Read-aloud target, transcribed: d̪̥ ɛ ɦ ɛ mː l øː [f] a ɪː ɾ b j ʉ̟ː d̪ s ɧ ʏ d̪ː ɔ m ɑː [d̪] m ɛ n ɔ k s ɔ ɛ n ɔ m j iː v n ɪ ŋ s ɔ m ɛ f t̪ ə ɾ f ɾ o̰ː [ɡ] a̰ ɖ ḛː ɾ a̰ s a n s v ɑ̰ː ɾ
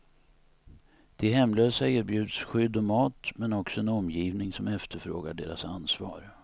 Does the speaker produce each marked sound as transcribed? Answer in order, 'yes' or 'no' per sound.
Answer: no, no, yes

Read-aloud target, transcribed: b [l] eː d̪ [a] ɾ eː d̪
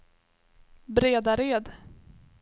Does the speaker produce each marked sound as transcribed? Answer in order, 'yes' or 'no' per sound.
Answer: no, yes

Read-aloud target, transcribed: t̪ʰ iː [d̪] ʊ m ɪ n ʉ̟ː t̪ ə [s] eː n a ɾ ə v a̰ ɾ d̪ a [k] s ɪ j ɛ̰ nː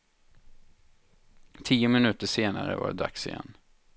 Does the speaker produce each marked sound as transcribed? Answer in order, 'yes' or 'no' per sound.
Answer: no, no, yes

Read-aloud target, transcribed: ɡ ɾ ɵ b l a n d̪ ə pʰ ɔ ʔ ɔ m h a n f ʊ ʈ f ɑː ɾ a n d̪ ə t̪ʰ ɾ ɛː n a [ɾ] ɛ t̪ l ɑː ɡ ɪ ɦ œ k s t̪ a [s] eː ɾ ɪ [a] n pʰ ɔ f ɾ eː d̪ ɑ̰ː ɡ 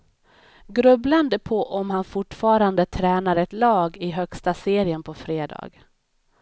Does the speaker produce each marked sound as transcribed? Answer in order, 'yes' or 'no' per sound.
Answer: yes, yes, no

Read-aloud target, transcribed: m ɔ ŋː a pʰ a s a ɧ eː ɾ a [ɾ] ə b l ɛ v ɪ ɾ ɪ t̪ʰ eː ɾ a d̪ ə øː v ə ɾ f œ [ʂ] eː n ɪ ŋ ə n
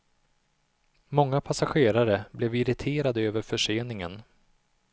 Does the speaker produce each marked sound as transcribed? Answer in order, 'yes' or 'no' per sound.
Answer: yes, yes

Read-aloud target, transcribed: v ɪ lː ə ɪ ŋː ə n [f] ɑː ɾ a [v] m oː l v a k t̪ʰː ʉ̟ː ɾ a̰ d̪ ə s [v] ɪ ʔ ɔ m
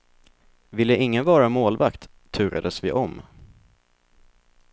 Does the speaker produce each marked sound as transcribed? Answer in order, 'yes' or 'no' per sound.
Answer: no, no, yes

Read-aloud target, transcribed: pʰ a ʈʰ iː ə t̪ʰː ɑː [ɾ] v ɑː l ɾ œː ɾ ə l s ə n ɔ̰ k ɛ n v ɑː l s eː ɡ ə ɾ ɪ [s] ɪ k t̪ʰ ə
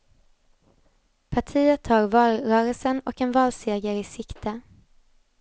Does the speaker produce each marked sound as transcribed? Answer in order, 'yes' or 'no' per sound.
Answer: yes, yes

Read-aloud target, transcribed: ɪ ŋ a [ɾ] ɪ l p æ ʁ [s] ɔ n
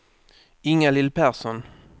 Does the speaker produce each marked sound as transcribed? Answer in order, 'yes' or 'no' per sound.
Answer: no, yes

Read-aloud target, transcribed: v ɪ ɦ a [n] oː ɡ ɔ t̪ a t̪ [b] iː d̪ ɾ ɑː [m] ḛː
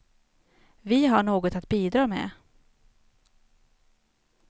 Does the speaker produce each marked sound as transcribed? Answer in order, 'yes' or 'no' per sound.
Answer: no, yes, yes

